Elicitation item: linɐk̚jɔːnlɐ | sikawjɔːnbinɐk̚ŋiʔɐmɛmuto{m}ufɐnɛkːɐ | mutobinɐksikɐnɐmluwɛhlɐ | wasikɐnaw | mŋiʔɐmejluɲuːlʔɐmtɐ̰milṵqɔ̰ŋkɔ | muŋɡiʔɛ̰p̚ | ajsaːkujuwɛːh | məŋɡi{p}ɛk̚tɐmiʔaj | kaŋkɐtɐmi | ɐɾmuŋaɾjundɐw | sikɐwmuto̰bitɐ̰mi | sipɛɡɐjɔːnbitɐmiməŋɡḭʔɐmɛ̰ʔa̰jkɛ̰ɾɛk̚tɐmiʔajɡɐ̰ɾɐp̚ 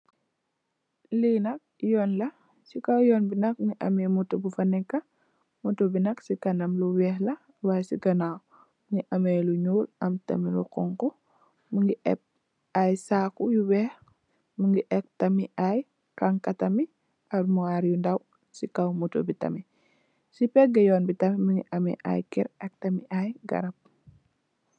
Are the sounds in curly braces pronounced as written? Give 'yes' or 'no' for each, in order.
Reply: no, no

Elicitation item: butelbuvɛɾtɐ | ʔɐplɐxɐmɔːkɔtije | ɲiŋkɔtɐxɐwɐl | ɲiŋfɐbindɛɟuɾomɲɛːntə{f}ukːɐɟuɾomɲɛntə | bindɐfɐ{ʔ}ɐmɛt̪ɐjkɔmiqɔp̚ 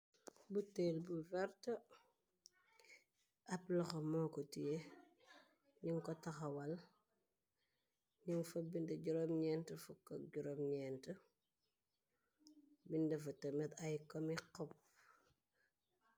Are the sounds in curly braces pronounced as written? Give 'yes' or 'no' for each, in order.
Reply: yes, no

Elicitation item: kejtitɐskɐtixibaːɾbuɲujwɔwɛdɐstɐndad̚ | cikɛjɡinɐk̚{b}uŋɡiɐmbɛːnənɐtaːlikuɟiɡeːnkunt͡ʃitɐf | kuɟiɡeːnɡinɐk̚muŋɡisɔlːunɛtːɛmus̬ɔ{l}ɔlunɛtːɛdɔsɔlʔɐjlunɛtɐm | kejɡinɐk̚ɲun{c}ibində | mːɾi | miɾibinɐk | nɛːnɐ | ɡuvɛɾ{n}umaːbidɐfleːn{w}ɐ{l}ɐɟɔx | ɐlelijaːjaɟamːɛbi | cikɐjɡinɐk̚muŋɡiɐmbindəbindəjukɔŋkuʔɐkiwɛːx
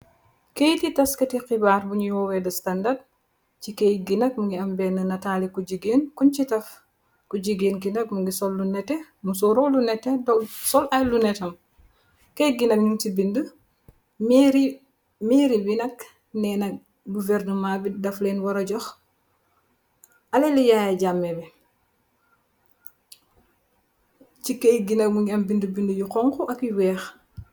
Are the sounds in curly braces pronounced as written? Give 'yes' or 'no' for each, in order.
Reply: no, no, no, yes, yes, no

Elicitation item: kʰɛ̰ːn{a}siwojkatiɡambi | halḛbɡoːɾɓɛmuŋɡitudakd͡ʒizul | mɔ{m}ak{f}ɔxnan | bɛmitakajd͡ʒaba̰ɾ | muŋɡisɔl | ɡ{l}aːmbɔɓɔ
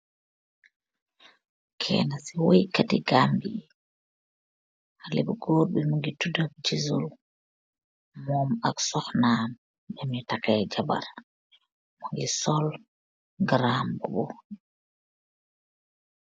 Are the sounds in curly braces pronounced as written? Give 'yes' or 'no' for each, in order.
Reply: yes, yes, no, no

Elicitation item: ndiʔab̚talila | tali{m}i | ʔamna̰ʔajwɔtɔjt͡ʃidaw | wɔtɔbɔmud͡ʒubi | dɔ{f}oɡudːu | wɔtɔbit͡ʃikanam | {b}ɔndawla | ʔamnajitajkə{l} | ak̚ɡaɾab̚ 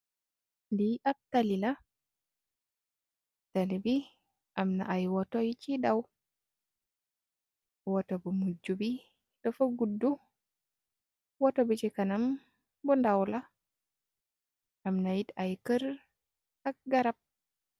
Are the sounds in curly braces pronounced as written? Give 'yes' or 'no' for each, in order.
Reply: no, yes, yes, no

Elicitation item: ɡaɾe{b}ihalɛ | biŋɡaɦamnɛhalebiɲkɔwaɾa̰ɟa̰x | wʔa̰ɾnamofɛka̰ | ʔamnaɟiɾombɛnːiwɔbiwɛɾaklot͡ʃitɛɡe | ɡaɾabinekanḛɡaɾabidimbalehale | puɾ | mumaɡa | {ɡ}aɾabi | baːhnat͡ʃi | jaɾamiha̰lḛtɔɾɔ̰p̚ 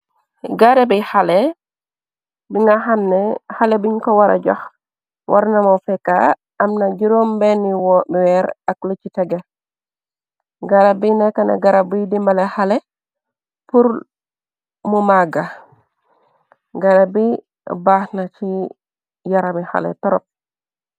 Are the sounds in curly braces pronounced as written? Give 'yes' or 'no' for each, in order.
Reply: yes, yes

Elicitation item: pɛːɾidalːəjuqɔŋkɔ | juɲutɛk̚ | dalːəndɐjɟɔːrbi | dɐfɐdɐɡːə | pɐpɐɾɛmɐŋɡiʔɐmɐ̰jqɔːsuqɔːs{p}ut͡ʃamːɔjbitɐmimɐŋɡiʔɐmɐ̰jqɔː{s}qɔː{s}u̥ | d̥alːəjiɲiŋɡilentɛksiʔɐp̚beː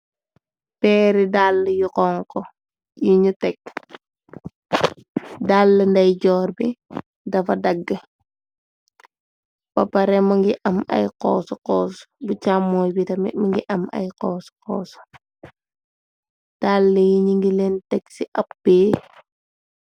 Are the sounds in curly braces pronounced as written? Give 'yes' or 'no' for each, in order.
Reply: no, yes, yes

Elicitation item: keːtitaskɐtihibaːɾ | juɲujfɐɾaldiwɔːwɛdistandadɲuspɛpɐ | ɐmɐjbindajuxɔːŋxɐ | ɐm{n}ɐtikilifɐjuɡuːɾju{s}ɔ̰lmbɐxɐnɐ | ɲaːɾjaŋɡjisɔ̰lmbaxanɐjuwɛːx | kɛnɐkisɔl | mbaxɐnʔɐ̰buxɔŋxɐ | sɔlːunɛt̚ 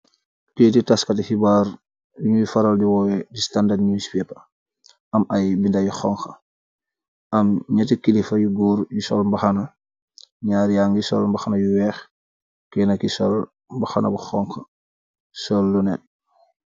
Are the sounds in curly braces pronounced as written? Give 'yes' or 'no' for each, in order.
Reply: no, yes

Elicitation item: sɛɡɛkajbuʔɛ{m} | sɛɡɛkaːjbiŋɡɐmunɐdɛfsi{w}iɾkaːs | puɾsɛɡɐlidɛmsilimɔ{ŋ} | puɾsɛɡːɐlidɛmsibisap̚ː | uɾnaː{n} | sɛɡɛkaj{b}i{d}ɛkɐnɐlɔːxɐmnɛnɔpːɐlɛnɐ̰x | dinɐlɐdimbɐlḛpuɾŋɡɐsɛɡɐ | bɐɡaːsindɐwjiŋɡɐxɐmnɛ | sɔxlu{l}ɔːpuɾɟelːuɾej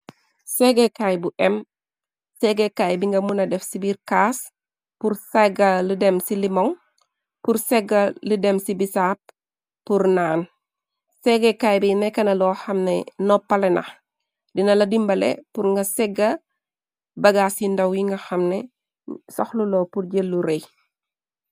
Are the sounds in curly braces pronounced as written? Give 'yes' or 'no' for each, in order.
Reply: yes, no, yes, yes, yes, no, yes

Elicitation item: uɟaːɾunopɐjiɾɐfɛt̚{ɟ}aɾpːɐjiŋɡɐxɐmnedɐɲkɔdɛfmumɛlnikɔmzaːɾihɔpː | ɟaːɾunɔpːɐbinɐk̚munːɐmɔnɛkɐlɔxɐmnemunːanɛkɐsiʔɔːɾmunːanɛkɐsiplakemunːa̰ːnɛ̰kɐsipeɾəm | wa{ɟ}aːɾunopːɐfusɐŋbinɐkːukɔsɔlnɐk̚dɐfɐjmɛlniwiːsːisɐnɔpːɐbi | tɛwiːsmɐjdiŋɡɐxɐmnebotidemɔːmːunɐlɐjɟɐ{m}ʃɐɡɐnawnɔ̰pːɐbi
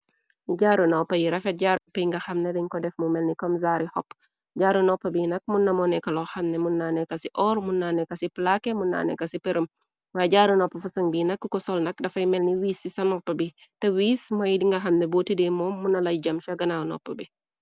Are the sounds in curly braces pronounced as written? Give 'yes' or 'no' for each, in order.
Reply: yes, yes, yes

